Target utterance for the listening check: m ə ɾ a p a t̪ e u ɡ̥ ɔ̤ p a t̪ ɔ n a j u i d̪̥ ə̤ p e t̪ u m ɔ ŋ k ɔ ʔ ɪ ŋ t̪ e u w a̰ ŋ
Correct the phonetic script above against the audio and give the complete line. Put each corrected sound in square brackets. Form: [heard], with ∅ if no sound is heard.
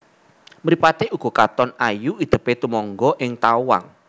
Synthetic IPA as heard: m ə ɾ [i] p a t̪ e u ɡ̥ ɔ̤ [k] a t̪ ɔ n a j u i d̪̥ ə̤ p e t̪ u m ɔ ŋ [ɡ] ɔ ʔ ɪ ŋ t̪ [a] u w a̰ ŋ